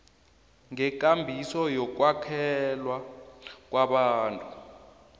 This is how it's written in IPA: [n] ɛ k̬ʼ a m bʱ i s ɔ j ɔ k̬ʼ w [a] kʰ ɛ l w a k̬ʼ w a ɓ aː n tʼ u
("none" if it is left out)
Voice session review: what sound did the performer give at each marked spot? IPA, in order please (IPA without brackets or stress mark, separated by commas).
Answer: ŋ, a